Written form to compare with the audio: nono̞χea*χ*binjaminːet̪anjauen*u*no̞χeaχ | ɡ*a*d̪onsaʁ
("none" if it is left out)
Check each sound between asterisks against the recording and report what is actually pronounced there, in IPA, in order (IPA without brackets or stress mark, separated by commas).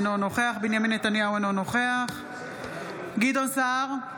χ, o, i